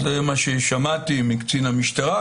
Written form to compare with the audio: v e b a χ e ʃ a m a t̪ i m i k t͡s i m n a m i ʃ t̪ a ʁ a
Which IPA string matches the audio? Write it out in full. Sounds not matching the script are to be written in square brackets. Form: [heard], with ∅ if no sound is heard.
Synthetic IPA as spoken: [z] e [m] a [ʃ] e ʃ a m a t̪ i m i k t͡s i [∅] n a m i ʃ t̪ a ʁ a